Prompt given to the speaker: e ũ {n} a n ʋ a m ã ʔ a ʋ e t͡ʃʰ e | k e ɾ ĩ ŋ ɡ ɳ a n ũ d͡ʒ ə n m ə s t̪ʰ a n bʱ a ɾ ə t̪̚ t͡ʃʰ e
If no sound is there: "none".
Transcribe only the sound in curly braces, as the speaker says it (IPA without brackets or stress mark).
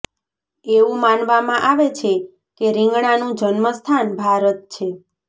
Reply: m